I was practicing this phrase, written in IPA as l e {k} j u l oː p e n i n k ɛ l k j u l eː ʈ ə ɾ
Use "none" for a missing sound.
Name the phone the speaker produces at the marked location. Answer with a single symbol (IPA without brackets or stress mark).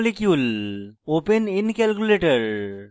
k